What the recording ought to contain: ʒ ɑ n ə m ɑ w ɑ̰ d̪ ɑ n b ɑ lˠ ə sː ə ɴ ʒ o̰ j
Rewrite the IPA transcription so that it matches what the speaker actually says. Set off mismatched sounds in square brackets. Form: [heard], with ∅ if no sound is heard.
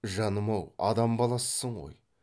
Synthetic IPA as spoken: ʒ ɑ n ə m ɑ w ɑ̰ d̪ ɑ [m] b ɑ lˠ [ɑ] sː ə ɴ [ʁ] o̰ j

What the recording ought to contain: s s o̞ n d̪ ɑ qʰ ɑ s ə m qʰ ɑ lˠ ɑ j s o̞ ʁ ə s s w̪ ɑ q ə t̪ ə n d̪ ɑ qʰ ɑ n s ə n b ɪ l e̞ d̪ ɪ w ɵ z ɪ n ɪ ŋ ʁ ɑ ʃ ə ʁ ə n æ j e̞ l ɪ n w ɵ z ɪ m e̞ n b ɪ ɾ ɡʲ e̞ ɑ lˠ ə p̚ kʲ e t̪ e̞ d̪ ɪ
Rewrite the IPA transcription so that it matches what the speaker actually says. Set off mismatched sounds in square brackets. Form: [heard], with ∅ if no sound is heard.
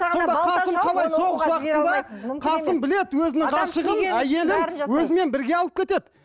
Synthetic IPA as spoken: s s o̞ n d̪ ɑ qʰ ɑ s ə m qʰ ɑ lˠ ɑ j s o̞ ʁ ə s s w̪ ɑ q ə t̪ ə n d̪ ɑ qʰ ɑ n s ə [m] b ɪ l e̞ d̪ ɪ w ɵ z ɪ n ɪ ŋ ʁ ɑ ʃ ə ʁ ə n æ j e̞ l ɪ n w ɵ z ɪ m e̞ n b ɪ ɾ ɡʲ e̞ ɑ lˠ ə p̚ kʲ e t̪ e̞ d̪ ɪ

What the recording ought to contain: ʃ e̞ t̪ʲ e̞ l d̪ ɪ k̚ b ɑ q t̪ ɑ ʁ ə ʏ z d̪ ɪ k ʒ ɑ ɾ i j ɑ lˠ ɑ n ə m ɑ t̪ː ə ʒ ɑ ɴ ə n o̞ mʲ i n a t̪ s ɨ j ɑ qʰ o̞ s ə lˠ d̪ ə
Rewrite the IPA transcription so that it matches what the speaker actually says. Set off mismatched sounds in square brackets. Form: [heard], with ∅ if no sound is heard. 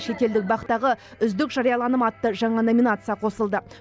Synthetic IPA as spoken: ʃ e̞ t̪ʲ e̞ l d̪ ɪ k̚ b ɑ q t̪ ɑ ʁ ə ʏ z d̪ ɪ k ʒ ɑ ɾ i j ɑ lˠ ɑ n ə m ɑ t̪ː ə ʒ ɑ ɴ [ɑ] n o̞ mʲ i n a t̪ s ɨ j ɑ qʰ o̞ s ə lˠ d̪ ə

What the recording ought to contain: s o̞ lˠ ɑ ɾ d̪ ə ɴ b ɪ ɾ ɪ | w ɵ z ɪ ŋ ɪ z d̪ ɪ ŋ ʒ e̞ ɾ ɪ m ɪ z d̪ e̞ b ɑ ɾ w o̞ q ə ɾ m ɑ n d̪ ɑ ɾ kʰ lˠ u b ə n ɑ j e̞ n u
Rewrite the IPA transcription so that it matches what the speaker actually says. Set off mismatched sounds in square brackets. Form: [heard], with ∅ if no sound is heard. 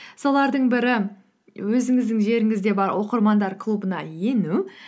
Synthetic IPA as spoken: s o̞ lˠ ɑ ɾ d̪ ə ɴ b ɪ ɾ ɪ | w ɵ z ɪ ŋ ɪ z d̪ ɪ ŋ ʒ e̞ ɾ ɪ [ŋ] ɪ z d̪ e̞ b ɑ ɾ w o̞ q ə ɾ m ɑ n d̪ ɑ ɾ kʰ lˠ u b ə n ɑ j e̞ n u

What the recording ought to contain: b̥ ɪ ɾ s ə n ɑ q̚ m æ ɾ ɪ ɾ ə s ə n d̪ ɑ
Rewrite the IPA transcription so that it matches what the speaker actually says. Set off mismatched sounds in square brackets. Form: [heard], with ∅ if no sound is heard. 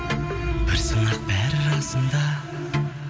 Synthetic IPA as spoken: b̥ ɪ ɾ s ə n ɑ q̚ [b] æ ɾ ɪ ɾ [ɑ] s ə n d̪ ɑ

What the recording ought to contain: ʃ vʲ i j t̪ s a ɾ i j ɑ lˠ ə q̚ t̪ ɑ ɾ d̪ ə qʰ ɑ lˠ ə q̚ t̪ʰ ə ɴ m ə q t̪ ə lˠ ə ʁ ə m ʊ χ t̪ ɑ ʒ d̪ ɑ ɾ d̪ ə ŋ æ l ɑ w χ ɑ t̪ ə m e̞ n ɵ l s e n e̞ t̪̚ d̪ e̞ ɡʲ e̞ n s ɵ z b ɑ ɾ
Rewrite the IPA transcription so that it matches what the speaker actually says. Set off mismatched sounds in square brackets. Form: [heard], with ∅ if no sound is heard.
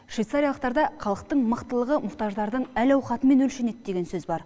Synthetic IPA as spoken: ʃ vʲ i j t̪ s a ɾ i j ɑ lˠ ə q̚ t̪ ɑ ɾ d̪ [ɑ] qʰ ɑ lˠ ə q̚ [t̪] ə ɴ m ə q t̪ ə lˠ ə ʁ ə m ʊ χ t̪ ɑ ʒ d̪ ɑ ɾ d̪ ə [ɴ] æ l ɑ w χ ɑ t̪ ə m e̞ n ɵ l [ʃ] e n e̞ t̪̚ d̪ e̞ ɡʲ e̞ n s ɵ z b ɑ ɾ

